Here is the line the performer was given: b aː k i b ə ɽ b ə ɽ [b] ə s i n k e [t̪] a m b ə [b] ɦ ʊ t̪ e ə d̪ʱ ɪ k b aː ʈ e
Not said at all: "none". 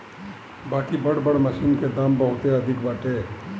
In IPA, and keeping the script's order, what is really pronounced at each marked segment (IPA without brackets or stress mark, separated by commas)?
m, d̪, none